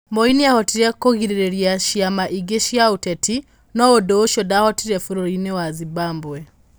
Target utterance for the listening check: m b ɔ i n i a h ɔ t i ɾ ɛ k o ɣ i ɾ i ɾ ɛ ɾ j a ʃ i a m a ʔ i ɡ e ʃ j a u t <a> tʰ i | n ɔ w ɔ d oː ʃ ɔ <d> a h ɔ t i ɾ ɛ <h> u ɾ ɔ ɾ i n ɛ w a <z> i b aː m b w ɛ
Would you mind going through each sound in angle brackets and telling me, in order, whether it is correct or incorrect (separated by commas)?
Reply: incorrect, correct, incorrect, correct